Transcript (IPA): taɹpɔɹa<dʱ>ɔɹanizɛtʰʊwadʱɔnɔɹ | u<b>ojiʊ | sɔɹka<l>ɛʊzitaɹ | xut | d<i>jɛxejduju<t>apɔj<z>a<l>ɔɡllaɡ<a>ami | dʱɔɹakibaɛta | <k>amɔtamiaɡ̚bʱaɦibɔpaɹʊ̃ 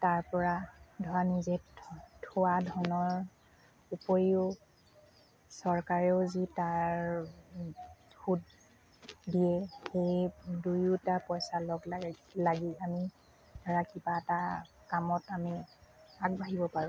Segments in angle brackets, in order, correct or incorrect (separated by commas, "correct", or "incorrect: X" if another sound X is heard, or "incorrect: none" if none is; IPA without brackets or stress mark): correct, incorrect: p, incorrect: ɹ, correct, correct, incorrect: s, correct, incorrect: i, correct